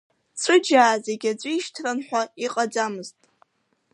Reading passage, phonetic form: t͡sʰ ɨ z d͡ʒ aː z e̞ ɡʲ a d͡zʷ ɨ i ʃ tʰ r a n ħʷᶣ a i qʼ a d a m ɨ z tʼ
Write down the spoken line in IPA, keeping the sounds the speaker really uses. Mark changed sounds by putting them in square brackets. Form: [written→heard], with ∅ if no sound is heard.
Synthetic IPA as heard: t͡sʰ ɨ [z→∅] d͡ʒ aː z e̞ ɡʲ a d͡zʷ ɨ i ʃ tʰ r a n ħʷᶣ a i qʼ a [d→d͡z] a m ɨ z tʼ